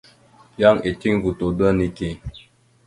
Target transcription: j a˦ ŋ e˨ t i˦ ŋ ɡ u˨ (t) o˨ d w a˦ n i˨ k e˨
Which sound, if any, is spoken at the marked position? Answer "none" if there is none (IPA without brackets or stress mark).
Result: t